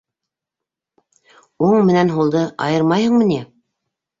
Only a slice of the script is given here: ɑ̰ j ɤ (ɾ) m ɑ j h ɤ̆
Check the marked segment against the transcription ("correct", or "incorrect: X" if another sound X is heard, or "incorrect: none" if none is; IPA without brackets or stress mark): correct